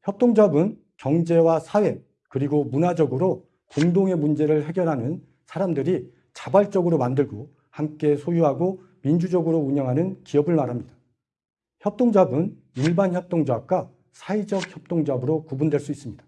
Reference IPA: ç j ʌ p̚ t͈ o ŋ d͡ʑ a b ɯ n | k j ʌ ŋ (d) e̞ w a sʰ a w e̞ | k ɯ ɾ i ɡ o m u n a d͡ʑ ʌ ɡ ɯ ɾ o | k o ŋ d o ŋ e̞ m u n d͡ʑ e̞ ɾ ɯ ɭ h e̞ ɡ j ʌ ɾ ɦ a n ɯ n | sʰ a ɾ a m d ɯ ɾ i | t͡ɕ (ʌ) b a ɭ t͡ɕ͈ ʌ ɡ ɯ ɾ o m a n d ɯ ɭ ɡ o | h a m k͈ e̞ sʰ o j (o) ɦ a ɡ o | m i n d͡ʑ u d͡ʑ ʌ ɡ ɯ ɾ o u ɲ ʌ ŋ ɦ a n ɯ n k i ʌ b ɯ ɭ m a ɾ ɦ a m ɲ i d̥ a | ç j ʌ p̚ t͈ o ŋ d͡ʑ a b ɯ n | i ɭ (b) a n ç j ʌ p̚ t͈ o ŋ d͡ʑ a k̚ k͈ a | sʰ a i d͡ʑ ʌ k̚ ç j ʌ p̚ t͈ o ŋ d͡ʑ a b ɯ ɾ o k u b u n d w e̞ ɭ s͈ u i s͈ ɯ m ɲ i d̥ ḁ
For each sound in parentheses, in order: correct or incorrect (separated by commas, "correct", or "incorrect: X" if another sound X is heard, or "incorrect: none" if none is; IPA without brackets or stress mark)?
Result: incorrect: d͡ʑ, incorrect: a, incorrect: u, correct